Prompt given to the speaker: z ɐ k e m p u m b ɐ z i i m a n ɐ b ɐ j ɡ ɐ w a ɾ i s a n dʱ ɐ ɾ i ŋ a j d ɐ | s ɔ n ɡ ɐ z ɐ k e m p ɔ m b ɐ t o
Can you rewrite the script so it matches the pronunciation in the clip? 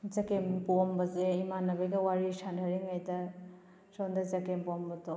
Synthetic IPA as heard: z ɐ k e m p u m b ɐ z e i m a n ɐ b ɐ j ɡ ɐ w a ɾ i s a n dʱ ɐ ɾ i ŋ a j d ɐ | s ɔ n d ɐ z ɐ k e m p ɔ m b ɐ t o